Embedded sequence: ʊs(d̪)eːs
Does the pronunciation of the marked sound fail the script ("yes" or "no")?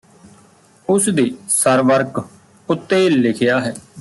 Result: no